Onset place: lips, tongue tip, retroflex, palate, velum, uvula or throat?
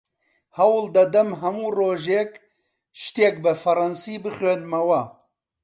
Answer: throat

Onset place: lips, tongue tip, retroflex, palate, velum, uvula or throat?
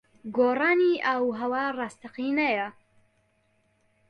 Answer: velum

